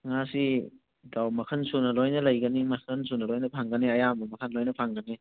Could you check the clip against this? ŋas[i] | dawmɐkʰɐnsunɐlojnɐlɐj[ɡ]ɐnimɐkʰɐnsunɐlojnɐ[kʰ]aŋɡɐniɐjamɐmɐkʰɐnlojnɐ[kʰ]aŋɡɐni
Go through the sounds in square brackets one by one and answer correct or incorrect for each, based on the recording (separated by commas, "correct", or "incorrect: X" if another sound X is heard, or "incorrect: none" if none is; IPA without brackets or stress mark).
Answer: correct, correct, incorrect: pʰ, incorrect: pʰ